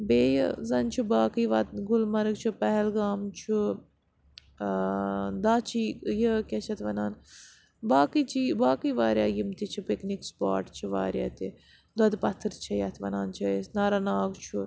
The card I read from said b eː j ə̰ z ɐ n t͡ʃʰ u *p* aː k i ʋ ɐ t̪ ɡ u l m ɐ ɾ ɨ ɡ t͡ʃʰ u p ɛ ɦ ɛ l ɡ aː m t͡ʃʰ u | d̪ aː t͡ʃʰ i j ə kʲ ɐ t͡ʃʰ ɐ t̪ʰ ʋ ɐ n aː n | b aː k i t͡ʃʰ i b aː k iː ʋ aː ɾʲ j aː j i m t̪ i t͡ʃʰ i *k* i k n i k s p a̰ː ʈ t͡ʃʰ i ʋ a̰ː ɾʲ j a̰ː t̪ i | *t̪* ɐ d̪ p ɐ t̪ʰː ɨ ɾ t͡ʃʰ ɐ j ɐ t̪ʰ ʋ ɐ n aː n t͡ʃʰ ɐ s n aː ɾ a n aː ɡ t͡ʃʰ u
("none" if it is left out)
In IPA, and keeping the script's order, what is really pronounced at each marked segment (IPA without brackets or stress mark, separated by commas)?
b, p, d̪